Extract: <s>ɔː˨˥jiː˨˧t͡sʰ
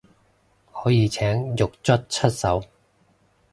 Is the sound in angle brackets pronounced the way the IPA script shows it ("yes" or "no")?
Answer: no